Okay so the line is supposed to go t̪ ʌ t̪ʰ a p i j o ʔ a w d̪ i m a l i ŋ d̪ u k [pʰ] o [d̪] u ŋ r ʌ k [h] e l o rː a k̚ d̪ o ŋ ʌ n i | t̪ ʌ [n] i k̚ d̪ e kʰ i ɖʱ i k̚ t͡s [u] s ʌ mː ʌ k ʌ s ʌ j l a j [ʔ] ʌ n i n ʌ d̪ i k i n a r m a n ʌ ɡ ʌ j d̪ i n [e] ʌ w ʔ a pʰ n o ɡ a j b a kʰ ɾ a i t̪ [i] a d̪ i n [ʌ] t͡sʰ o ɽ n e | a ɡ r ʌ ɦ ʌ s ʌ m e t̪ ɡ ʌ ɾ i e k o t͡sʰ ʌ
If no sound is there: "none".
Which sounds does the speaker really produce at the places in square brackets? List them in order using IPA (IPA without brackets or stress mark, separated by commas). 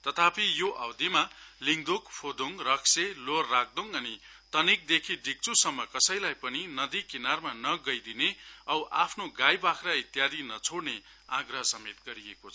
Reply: pʰ, d̪, s, n, u, p, e, j, ʌ